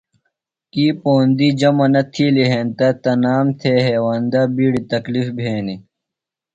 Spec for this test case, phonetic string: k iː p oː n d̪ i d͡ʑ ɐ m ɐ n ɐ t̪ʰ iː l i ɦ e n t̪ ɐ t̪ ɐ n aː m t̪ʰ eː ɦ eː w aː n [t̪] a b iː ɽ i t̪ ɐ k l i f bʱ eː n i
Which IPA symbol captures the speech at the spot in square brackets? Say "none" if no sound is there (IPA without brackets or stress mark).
d̪